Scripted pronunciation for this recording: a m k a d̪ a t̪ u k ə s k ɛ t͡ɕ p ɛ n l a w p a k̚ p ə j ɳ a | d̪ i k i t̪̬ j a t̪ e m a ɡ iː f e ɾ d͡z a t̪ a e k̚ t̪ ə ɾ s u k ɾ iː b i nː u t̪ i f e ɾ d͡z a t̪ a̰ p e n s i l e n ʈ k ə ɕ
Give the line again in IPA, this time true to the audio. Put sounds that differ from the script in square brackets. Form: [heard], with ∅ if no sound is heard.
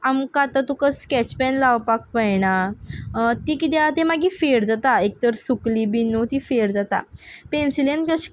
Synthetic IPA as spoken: a m k a [t̪] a t̪ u k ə s k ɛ t͡ɕ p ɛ n l a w p a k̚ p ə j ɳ a | [t̪] i k i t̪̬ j a t̪ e m a ɡ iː f e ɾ d͡z a t̪ a e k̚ t̪ ə ɾ s u k [l] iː b i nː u t̪ i f e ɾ d͡z a t̪ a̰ p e n s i l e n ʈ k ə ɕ